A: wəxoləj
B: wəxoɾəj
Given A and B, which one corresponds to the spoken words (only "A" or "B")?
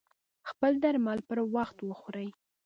B